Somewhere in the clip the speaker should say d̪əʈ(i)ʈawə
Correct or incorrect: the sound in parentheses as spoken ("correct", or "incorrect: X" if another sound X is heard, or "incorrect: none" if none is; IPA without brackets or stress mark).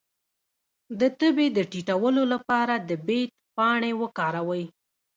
correct